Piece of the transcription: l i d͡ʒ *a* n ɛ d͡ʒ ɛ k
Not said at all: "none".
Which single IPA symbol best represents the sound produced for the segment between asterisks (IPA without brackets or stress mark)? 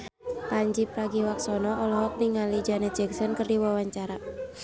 a